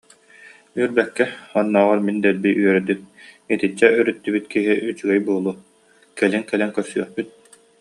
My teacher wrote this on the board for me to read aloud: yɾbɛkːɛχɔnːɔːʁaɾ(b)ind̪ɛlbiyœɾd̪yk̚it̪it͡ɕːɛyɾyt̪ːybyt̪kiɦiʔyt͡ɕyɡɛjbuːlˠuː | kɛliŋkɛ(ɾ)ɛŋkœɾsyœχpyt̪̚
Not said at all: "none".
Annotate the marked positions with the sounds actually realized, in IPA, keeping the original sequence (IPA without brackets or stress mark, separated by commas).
m, l